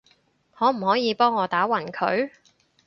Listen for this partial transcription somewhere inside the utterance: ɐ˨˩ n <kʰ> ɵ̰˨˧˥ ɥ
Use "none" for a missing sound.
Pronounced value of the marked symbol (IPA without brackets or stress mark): kʰ